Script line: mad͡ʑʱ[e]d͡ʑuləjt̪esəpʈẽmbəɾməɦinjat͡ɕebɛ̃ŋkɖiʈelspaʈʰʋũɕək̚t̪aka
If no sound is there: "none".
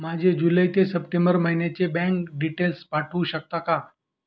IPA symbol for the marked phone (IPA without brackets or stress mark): e